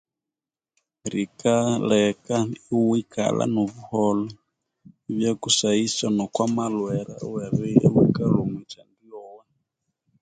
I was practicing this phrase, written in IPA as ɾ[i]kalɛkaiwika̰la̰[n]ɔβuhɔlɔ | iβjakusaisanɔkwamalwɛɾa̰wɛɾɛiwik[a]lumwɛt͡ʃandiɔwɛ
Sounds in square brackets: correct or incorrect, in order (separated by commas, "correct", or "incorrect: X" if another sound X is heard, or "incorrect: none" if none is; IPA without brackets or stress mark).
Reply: correct, correct, correct